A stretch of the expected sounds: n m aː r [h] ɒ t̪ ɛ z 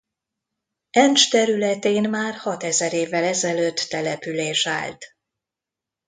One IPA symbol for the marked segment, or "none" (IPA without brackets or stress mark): h